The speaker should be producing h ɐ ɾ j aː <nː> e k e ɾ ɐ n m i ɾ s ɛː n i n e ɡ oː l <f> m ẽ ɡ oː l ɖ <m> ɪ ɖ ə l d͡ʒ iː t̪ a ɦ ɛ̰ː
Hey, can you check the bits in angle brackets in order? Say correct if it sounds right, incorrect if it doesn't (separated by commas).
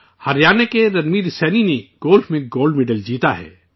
incorrect, correct, correct